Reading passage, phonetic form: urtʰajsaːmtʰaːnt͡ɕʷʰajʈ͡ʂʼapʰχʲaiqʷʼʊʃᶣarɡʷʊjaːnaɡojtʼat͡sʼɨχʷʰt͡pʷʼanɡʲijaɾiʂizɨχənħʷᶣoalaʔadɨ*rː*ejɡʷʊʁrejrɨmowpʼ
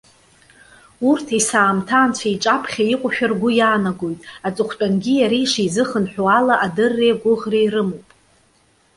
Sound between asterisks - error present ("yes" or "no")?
no